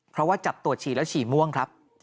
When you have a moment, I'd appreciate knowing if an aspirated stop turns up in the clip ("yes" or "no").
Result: yes